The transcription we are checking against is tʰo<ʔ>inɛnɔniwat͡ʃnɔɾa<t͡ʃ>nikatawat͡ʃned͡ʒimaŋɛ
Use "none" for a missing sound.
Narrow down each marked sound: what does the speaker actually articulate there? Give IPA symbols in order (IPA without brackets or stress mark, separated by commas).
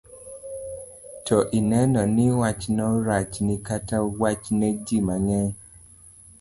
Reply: ʔ, t͡ʃ